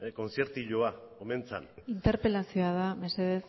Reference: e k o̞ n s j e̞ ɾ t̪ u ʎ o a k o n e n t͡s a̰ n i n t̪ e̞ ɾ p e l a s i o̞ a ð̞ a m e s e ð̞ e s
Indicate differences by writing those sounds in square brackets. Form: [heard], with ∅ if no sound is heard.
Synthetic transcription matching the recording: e k o̞ n s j e̞ ɾ t̪ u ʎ o a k o [m] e n t͡s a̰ n i n t̪ e̞ ɾ p e l a s i o̞ a ð̞ a m e s e ð̞ e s